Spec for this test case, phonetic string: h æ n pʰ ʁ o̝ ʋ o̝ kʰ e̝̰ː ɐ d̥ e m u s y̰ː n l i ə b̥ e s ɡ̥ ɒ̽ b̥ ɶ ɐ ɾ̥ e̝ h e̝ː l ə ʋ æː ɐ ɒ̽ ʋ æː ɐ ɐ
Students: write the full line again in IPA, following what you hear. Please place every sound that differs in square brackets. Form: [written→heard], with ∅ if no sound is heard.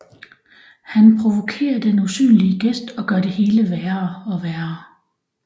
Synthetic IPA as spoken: h æ n pʰ ʁ o̝ ʋ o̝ kʰ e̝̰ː ɐ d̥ e [m→n] u s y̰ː n l i ə [b̥→ɡ̥] e s [ɡ̥→d̥] ɒ̽ [b̥→ɡ̥] ɶ ɐ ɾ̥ e̝ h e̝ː l ə ʋ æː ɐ ɒ̽ ʋ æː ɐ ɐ